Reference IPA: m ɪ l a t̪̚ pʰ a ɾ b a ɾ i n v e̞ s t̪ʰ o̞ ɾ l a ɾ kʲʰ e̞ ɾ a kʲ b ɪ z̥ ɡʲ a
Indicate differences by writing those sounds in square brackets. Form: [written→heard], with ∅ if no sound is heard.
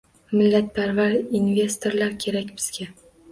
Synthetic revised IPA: m ɪ [l→lː] a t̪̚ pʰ a ɾ [b→v] a ɾ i n v e̞ s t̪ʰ o̞ ɾ l a ɾ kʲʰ e̞ ɾ a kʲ b ɪ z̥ ɡʲ a

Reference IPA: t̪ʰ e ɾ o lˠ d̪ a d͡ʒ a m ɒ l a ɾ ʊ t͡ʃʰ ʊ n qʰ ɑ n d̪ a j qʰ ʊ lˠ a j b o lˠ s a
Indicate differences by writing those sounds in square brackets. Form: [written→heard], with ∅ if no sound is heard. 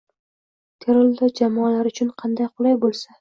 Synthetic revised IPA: t̪ʰ e ɾ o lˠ d̪ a d͡ʒ a m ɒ l a ɾ ʊ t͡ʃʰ ʊ n qʰ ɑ n d̪ a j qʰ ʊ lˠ a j b o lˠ s a

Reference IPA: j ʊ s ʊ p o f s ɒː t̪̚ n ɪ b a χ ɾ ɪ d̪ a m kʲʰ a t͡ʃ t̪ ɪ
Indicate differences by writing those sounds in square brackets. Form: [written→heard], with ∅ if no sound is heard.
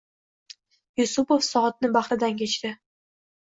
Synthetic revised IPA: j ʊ s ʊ p o f s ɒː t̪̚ n ɪ b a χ ɾ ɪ d̪ a [m→n] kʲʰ [a→e] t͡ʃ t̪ ɪ

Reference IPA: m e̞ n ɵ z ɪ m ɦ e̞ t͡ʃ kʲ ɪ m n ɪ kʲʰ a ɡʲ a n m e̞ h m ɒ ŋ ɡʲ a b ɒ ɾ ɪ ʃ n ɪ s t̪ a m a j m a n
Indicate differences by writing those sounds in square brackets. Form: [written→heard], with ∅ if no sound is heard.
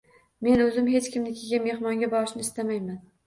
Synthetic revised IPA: m e̞ n ɵ z ɪ m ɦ e̞ t͡ʃ kʲ ɪ m n ɪ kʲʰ [a→e] ɡʲ a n m e̞ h m ɒ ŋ ɡʲ a b ɒ ɾ ɪ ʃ n ɪ s t̪ a m a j m a n

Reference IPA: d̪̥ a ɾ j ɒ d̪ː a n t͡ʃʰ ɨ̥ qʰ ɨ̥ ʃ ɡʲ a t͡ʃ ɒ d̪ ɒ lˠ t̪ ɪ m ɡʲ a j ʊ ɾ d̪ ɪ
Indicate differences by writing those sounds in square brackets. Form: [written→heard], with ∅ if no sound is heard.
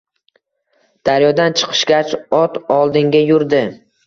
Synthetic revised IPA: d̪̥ a ɾ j ɒ [d̪ː→d̪] a n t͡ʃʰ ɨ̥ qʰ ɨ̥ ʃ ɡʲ a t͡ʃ ɒ [d̪→t̪] ɒ lˠ [t̪→d̪] ɪ [m→ŋ] ɡʲ a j ʊ ɾ d̪ ɪ

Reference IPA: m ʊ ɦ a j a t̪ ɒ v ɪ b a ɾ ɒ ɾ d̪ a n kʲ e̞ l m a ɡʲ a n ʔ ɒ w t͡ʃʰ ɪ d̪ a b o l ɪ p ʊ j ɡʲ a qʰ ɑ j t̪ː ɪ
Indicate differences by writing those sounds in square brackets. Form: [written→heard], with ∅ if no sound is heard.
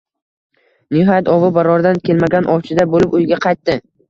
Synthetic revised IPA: [m→n] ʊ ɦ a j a t̪ ɒ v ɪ b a ɾ ɒ ɾ d̪ a n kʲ e̞ l m a ɡʲ a n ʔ ɒ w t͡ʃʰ ɪ d̪ a b o l ɪ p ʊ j ɡʲ a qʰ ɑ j t̪ː ɪ

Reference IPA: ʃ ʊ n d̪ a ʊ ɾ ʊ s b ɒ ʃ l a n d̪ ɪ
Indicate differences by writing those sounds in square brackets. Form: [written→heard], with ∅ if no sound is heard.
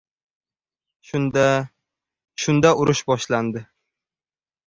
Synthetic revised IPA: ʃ ʊ n d̪ a ʊ ɾ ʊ [s→ʃ] b ɒ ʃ l a n d̪ ɪ

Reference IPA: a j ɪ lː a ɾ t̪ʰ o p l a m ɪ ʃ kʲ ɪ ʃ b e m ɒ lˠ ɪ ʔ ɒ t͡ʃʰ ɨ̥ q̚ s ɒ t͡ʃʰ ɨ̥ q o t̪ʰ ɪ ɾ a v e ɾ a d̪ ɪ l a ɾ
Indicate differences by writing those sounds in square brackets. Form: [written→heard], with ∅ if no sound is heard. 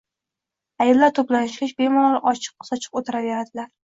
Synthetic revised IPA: a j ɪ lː a ɾ t̪ʰ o p l a [m→n] ɪ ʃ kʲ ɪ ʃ b e m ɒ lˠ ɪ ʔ ɒ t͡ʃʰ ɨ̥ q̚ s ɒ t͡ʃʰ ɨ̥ q o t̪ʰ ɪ ɾ a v e ɾ a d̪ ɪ l a ɾ

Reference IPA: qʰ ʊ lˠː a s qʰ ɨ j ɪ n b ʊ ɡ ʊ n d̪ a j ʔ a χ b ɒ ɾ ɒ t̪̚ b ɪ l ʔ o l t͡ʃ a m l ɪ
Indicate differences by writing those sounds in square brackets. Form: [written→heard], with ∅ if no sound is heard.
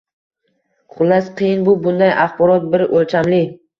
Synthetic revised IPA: qʰ ʊ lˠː a s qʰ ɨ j ɪ n b ʊ [ɡ→b] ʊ n d̪ a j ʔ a χ b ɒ ɾ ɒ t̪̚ b ɪ [l→ɾ] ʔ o l t͡ʃ a m l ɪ

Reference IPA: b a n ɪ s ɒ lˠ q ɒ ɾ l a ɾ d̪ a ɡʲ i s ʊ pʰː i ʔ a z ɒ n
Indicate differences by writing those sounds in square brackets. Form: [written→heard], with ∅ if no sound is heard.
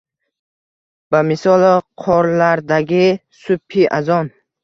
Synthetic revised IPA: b a [n→m] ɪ s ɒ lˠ [q→qʰ] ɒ ɾ l a ɾ d̪ a ɡʲ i s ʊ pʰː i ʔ a z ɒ n

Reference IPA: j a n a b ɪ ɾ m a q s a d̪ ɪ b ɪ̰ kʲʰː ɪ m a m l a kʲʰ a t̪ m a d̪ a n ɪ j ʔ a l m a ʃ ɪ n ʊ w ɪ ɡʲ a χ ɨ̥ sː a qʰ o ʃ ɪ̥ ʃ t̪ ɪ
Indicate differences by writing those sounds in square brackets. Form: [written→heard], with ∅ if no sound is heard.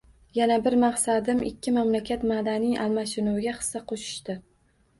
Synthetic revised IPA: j a n a b ɪ ɾ m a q s a d̪ ɪ [b→m] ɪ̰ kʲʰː ɪ m a m l a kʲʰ a t̪ m a d̪ a n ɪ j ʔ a l m a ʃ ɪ n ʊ w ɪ ɡʲ a χ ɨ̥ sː a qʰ o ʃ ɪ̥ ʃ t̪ ɪ

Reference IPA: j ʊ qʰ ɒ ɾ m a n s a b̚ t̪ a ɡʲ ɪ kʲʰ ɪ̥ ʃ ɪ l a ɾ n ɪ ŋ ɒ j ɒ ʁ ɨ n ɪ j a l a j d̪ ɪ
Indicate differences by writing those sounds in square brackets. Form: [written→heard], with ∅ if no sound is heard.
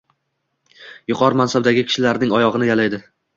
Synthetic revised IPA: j ʊ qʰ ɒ ɾ m a n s a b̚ [t̪→d̪] a ɡʲ ɪ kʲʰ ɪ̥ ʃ ɪ l a ɾ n ɪ ŋ ɒ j ɒ ʁ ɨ n ɪ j a l a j d̪ ɪ

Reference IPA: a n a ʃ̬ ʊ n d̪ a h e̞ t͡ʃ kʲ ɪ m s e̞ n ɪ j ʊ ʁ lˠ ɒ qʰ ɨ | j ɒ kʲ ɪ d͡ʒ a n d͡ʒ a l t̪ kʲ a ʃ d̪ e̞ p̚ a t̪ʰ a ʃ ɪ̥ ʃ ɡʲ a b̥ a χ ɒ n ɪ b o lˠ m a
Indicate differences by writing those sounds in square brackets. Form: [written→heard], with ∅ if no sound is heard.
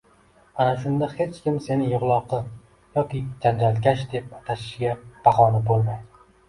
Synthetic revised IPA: a n a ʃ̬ ʊ n d̪ a h e̞ t͡ʃ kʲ ɪ m s e̞ n ɪ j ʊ ʁ lˠ ɒ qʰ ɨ | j ɒ kʲ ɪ d͡ʒ a n d͡ʒ a l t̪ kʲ a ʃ d̪ e̞ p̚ a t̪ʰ a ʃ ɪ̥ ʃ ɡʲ a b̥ a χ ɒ n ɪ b o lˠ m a

